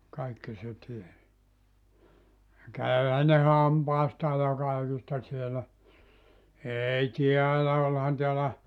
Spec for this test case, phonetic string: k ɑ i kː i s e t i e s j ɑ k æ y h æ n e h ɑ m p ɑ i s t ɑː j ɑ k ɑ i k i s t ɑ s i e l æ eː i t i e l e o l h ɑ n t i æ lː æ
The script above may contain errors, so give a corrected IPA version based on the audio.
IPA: k ɑ i kː i s e t i e s j ɑ k æ y h æ n e h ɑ m p ɑ i s t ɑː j ɑ k ɑ i k i s t ɑ s i e l æ eː i t i æ l æ o l h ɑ n t i æ l æ

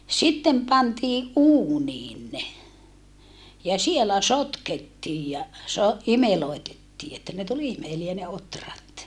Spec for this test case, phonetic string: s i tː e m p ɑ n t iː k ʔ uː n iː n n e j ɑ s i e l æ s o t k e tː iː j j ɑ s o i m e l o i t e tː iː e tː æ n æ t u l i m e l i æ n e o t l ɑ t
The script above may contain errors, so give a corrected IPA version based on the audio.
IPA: s i tː e m p ɑ n t iː ʔ ʔ uː n iː n n e j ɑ s i e l æ s o t k e tː iː j j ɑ s o i m e l o i t e tː iː e tː æ n e t u l i m e l i æ n e o t r ɑ t

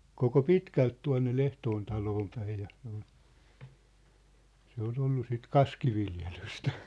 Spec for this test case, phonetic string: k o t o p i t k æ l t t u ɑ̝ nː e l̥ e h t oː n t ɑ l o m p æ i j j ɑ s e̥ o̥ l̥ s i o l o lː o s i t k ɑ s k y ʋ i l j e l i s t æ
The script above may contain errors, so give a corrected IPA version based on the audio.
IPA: k o k o p i t k æ l t t u ɑ̝ nː e l̥ e h t oː n t ɑ l oː m p æ i j j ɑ s e̥ o̥ l̥ s e o l o lː u s i t k ɑ s k i ʋ i l j e l y s t æ

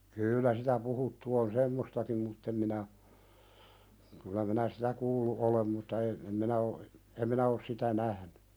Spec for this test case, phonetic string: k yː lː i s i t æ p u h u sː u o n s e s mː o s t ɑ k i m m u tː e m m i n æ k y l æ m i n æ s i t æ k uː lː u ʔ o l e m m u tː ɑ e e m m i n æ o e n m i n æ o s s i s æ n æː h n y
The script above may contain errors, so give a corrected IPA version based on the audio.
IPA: k yː lː æ s i t æ p u h u tː u o n s e mː o s t ɑ k i m m u tː e m m i n æ k y l æ m i n æ s i t æ k uː lː u ʔ o l e m m u tː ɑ e e m m i n æ o e m m i n æ o s s i t æ n æ h n y

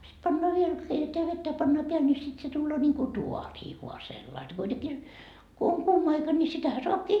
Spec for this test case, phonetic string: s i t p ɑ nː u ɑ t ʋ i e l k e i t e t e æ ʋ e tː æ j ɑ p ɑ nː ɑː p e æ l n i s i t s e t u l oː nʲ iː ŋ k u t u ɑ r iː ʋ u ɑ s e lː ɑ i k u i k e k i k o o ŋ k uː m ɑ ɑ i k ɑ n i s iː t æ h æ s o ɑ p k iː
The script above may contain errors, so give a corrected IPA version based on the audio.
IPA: s i t p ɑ nː o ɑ ʋ i e l k e i t e t e æ ʋ e tː æ j ɑ p ɑ nː ɑː p e æ l n i s i t s e t u lː oː nʲ iː ŋ k u t u ɑ r iː ʋ u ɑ s e lː ɑ i k u i t e k i k o o ŋ k uː m ɑ ɑ i k ɑ n i s i t æ h æ s o ɑ p k iː

